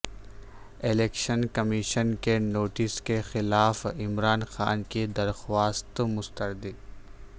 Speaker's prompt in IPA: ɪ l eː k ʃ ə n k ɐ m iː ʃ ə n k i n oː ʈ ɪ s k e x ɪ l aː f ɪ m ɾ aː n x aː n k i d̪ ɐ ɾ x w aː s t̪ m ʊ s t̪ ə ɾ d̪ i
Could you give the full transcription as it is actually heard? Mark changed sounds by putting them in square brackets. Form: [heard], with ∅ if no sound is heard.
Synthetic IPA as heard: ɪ l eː k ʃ ə n k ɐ m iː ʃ ə n k [e] n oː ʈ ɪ s k e x ɪ l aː f ɪ m ɾ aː n x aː n k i d̪ ɐ ɾ x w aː s t̪ m ʊ s t̪ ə ɾ d̪ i